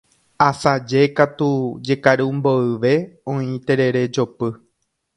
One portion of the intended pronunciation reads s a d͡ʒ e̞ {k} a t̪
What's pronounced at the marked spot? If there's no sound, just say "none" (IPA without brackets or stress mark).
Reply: k